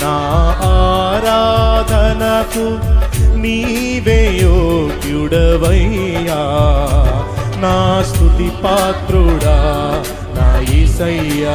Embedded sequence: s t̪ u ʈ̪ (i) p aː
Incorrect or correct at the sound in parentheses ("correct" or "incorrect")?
correct